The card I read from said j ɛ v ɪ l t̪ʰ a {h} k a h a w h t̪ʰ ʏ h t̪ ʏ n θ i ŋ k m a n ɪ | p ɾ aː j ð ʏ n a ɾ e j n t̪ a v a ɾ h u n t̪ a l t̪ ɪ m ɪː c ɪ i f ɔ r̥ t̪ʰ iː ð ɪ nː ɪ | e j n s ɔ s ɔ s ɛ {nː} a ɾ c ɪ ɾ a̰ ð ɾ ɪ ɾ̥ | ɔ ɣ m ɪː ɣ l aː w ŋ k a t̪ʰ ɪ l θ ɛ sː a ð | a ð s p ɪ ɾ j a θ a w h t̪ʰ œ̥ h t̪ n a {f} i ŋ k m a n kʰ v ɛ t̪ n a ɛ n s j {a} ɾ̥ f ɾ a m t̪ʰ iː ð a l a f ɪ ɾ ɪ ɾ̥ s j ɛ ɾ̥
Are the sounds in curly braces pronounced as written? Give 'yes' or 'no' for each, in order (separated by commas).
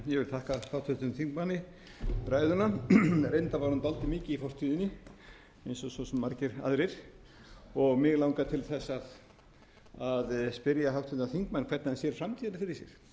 yes, no, no, no